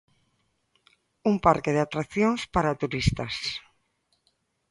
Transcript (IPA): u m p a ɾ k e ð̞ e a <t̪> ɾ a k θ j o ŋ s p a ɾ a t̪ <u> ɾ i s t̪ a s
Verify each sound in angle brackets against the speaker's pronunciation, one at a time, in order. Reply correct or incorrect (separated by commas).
correct, correct